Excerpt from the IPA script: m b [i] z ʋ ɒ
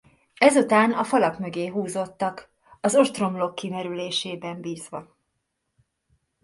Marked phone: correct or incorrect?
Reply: incorrect